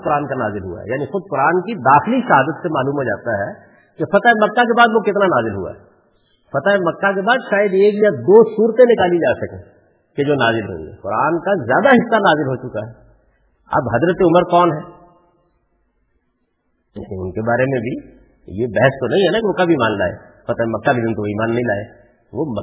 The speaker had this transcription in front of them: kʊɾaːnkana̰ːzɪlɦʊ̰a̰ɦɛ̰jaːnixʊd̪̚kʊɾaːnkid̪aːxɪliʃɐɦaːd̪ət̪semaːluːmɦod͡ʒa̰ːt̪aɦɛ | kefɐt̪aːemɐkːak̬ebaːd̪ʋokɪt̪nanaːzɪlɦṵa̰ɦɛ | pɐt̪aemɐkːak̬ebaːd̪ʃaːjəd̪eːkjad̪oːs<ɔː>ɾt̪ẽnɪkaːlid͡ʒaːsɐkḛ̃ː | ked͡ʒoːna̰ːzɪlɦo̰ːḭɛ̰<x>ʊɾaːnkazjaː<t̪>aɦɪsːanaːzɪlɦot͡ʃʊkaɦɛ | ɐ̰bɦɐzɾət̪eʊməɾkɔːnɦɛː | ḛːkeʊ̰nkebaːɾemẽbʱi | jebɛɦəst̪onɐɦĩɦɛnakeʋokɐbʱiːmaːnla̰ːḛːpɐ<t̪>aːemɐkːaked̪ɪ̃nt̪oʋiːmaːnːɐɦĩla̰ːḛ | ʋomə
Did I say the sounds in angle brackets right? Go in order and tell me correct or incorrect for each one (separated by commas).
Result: incorrect, incorrect, incorrect, correct